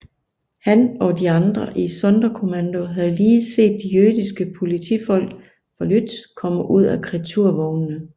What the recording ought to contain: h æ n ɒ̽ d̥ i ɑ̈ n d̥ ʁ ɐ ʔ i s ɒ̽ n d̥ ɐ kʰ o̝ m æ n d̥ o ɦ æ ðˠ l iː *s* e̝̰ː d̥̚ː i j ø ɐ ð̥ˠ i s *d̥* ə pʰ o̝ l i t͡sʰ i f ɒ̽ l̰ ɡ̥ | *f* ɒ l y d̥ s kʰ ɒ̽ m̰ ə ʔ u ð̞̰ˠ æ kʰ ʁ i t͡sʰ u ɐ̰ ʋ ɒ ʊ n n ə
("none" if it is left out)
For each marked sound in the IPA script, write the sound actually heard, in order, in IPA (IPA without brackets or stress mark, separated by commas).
s, ɡ̥, f